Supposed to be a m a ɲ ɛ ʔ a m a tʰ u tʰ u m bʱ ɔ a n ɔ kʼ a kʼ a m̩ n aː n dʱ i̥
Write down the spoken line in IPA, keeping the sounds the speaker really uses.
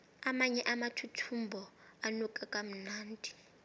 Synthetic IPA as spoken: a m a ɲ ɛ ʔ a m a tʰ u tʰ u m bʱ ɔ a n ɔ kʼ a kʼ a m̩ n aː n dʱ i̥